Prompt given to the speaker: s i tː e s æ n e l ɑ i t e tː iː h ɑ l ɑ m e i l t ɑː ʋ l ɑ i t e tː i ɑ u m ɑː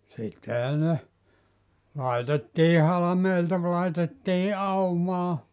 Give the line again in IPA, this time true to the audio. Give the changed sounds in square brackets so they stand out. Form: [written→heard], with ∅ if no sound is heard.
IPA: s i tː e [s→h] æ n e l ɑ i t e tː iː h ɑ l ɑ m e i l t [ɑː→ɑ] ʋ l ɑ i t e tː [i→iː] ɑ u m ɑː